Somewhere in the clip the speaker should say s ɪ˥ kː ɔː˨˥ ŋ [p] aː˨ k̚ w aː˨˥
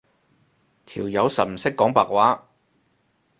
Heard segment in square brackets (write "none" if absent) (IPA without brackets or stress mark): p